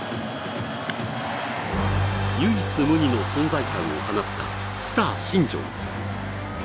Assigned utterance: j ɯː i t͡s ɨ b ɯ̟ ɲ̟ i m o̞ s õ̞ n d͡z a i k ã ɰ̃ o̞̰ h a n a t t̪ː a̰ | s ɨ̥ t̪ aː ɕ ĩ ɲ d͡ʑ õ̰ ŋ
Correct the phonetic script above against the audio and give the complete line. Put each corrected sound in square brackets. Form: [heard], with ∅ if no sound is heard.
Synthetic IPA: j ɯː i t͡s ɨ [m] ɯ̟ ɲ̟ i [n] o̞ s õ̞ n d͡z a i k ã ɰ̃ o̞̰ h a n a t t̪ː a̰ | s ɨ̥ t̪ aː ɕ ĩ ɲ d͡ʑ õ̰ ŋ